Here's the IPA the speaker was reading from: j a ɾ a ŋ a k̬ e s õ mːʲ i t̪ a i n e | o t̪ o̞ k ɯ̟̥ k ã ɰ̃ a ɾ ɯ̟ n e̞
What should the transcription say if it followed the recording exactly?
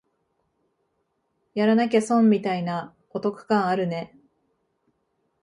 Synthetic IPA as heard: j a ɾ a n a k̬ e s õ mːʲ i t̪ a i n a | o t̪ o̞ k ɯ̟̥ k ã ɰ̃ a ɾ ɯ̟ n e̞